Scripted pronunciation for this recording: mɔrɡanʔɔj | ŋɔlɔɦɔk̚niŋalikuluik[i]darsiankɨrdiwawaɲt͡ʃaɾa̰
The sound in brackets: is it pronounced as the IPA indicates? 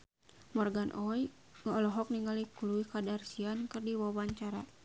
no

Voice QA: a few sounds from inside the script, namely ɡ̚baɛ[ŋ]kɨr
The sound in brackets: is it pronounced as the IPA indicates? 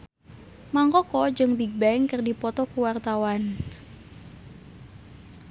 yes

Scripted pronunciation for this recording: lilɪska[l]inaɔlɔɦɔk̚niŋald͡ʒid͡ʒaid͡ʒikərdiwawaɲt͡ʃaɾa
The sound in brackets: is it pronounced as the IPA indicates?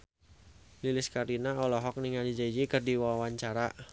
no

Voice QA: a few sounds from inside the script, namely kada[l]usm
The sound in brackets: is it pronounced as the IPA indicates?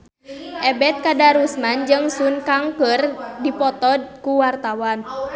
no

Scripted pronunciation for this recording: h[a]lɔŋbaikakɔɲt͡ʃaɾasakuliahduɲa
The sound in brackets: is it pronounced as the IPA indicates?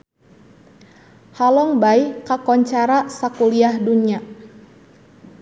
yes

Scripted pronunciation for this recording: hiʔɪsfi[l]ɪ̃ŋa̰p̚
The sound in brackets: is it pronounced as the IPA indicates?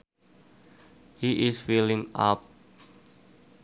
yes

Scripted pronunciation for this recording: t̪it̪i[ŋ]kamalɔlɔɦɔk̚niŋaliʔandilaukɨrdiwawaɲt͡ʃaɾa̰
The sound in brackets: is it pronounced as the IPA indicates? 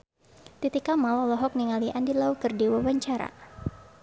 no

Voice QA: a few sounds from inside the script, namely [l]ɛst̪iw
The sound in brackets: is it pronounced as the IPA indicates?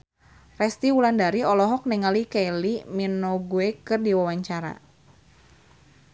no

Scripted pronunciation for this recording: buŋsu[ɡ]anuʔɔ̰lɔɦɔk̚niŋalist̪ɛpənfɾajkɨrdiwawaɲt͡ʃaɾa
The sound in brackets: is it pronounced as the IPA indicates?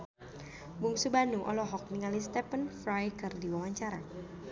no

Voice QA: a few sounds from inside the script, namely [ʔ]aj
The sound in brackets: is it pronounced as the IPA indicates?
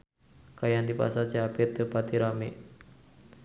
no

